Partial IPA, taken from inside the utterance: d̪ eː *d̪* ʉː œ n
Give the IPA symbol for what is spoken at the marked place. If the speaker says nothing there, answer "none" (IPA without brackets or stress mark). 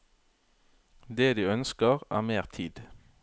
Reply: d̪